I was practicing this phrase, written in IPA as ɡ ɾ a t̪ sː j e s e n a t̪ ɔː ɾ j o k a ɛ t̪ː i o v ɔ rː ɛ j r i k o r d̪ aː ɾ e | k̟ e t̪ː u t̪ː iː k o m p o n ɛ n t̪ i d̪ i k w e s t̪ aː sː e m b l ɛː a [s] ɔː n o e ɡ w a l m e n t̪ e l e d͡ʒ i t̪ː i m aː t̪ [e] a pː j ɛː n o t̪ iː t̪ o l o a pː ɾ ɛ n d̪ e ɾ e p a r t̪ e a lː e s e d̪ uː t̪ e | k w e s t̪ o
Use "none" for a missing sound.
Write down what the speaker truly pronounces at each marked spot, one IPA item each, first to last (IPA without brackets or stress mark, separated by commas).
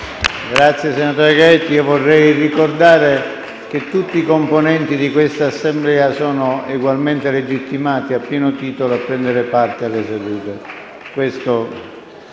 s, i